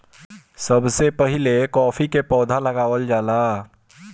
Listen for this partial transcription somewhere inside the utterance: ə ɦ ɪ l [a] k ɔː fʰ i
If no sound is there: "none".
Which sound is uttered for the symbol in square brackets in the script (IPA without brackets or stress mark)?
e